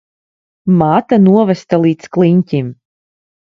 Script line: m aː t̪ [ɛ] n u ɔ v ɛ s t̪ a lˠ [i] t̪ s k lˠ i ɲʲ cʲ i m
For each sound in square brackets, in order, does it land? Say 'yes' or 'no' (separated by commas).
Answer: no, no